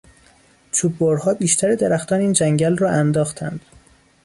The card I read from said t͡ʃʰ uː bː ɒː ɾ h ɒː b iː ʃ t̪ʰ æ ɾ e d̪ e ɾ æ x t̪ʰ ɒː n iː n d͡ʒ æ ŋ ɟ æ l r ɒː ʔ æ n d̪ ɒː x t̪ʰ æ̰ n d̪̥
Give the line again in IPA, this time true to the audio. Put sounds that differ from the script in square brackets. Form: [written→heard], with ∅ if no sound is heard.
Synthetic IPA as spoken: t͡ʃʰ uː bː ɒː ɾ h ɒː b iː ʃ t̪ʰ æ ɾ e d̪ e ɾ æ x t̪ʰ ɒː n iː n d͡ʒ æ ŋ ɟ æ l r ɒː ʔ æ n d̪ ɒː x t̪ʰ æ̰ n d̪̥